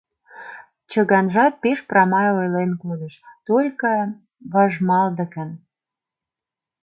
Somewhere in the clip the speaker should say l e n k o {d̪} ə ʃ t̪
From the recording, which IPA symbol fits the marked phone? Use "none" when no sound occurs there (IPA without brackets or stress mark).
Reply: d̪